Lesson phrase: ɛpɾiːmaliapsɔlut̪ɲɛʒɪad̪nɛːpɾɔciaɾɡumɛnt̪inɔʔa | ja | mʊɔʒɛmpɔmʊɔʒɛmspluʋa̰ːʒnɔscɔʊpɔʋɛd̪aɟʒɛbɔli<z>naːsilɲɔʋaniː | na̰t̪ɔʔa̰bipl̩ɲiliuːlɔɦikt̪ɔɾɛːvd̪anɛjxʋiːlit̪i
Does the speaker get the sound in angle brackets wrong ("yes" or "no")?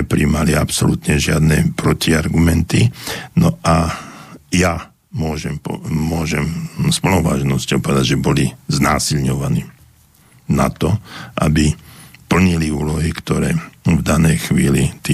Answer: no